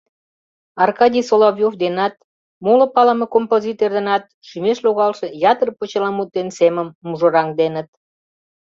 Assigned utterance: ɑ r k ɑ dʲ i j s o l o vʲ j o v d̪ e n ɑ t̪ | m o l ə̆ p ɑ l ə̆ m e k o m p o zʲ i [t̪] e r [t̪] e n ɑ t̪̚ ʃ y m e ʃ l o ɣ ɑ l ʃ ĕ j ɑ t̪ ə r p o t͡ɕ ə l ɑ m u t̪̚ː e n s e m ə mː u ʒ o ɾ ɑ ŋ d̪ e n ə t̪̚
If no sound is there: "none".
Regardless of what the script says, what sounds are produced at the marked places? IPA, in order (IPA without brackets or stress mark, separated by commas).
t̪, d̪